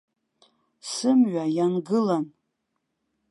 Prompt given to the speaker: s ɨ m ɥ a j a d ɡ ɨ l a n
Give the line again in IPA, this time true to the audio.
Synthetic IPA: s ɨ m ɥ a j a n ɡ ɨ l a n